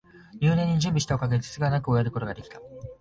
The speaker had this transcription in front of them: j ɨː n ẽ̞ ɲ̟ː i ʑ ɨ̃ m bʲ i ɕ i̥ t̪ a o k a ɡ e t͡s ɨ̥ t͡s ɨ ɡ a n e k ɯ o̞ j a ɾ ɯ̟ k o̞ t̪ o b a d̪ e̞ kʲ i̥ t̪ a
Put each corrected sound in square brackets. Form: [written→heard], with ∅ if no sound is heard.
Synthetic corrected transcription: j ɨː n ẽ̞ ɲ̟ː i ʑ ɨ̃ m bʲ i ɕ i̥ t̪ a o k a ɡ e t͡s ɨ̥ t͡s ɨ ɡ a n [e→a] k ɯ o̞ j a ɾ ɯ̟ k o̞ t̪ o [b→ɡ] a d̪ e̞ kʲ i̥ t̪ a